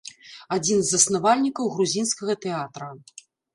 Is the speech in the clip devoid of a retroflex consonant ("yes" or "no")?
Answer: yes